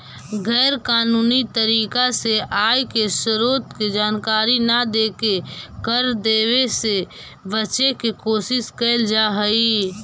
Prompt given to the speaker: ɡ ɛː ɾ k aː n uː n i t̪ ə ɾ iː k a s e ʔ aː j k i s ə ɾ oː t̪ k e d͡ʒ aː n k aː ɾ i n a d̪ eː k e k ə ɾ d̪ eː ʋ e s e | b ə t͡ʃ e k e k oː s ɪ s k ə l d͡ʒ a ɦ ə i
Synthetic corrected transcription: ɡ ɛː ɾ k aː n uː n i t̪ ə ɾ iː k a s e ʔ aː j k e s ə ɾ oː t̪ k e d͡ʒ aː n k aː ɾ i n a d̪ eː k e k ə ɾ d̪ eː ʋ e s e | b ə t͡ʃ e k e k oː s ɪ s k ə l d͡ʒ a ɦ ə i